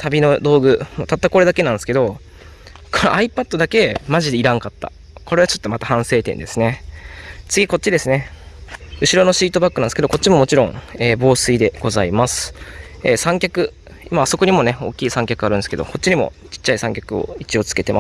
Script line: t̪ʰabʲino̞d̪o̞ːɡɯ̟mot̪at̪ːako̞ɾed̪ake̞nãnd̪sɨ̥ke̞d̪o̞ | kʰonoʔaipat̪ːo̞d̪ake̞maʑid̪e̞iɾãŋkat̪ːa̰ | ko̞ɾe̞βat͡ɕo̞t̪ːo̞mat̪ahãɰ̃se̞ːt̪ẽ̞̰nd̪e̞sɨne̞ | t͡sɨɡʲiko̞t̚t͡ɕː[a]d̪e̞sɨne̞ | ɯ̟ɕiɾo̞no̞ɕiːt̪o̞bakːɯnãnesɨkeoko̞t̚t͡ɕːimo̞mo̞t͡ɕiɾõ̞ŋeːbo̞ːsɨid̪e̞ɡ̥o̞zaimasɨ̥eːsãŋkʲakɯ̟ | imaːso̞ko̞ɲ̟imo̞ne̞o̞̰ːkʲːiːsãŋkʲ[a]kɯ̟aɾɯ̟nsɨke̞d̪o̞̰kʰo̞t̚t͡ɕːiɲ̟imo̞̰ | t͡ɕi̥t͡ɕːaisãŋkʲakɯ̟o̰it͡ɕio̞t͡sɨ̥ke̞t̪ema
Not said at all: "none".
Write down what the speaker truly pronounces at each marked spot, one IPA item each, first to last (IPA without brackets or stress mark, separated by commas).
i, a